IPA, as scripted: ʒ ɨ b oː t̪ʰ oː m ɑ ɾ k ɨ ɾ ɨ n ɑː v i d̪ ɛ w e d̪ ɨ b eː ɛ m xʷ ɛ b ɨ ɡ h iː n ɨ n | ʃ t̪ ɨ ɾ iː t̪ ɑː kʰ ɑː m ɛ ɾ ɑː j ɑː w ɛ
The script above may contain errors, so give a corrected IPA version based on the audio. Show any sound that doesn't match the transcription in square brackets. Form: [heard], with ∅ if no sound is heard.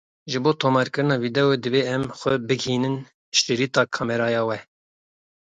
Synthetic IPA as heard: ʒ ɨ b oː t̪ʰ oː m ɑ ɾ k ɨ ɾ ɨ n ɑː v i d̪ ɛ w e d̪ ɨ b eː ɛ m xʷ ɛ b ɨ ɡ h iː n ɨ n | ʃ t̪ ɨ ɾ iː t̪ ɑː kʰ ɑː m ɛ ɾ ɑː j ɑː w ɛ